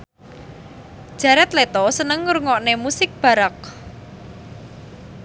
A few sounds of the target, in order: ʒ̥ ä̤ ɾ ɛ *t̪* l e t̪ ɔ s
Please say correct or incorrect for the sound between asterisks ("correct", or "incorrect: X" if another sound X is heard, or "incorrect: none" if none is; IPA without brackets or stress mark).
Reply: correct